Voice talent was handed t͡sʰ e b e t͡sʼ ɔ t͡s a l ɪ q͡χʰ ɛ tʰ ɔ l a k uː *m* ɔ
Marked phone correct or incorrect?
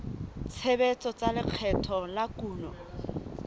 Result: incorrect: n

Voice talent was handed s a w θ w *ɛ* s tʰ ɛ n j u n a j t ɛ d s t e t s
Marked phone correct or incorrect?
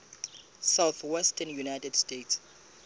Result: correct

